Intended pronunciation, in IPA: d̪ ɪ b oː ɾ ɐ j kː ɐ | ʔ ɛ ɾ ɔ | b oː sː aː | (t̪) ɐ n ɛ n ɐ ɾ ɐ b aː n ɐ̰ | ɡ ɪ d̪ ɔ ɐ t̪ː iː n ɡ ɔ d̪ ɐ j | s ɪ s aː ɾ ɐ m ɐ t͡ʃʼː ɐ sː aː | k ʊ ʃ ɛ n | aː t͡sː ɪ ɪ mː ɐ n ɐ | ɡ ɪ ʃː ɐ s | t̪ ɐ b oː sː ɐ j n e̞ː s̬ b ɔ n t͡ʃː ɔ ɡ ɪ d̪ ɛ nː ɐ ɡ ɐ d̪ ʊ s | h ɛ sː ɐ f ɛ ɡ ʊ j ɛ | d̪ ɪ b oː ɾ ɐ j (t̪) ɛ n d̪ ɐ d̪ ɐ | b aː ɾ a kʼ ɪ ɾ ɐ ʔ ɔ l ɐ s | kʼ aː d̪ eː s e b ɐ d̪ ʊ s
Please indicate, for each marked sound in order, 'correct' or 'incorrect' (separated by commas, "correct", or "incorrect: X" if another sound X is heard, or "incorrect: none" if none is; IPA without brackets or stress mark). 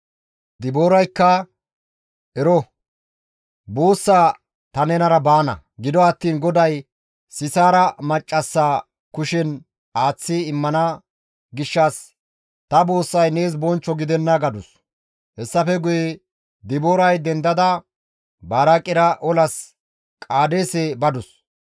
correct, incorrect: d̪